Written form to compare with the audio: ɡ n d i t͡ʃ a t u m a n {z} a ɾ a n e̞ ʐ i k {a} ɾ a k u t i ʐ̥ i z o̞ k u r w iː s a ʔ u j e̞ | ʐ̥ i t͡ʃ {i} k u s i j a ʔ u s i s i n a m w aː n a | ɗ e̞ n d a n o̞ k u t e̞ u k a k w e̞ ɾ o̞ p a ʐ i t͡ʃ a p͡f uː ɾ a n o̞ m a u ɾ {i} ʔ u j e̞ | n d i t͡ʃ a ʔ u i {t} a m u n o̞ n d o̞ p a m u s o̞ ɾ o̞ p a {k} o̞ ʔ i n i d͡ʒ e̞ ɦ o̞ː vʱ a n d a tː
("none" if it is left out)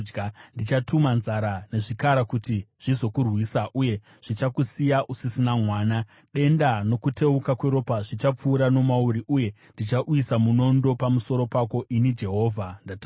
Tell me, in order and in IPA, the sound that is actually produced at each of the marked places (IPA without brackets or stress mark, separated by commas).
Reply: z, a, a, i, s, k